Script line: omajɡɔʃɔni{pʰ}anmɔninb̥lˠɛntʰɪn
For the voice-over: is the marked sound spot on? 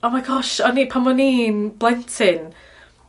yes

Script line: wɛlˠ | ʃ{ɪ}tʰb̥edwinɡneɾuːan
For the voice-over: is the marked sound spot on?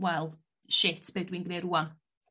yes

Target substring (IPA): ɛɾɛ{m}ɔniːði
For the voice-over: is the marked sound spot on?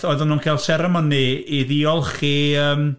yes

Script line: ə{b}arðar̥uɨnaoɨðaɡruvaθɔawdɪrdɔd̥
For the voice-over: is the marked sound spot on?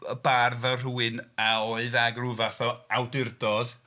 yes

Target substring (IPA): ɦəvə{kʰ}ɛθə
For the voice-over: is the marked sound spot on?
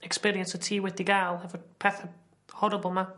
no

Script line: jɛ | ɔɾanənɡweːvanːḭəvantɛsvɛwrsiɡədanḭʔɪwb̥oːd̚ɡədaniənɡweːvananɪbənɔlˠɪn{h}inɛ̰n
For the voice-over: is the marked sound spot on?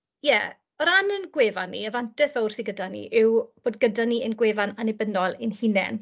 yes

